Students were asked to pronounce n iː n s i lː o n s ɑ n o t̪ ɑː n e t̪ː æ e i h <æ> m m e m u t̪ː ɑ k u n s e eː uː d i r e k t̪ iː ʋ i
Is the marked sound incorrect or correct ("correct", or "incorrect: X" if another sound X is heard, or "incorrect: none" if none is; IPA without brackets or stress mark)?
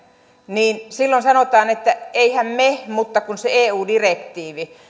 correct